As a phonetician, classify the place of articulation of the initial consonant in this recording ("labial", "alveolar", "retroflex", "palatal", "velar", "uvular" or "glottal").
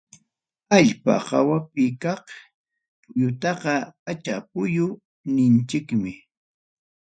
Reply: palatal